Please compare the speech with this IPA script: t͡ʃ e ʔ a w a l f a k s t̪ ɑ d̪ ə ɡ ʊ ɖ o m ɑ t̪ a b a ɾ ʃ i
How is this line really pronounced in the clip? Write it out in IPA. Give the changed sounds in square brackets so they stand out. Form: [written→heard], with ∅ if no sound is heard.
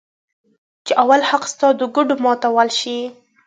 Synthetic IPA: t͡ʃ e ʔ a w a l [f→h] a [k→q] s t̪ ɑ d̪ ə ɡ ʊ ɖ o m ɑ t̪ a [b→w] a [ɾ→l] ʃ i